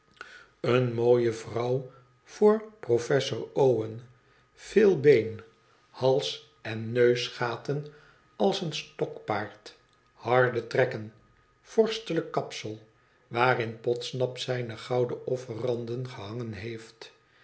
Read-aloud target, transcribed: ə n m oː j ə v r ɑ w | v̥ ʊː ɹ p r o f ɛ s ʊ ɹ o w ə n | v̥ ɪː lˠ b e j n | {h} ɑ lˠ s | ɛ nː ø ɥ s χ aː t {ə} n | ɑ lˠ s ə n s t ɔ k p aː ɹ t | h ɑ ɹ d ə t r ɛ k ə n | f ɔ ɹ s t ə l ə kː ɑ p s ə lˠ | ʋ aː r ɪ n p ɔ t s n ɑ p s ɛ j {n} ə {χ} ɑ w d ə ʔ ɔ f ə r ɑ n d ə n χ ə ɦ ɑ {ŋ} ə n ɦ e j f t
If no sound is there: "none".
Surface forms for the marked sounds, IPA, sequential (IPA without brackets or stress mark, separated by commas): h, ə, n, χ, ŋ